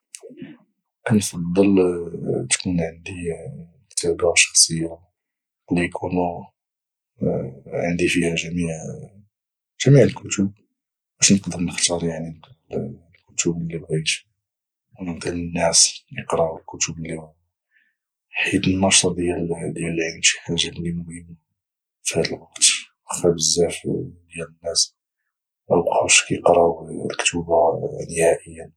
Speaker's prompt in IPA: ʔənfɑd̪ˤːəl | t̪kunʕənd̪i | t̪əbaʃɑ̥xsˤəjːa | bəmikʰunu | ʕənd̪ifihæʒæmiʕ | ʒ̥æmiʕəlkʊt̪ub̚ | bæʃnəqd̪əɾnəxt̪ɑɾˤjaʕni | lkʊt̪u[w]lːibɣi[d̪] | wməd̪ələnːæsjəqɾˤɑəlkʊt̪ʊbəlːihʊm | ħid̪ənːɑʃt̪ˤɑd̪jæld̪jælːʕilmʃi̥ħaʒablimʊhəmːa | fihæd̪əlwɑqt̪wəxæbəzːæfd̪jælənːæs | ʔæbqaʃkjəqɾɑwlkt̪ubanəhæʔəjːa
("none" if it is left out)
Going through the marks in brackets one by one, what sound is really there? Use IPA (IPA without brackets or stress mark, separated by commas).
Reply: b, t̪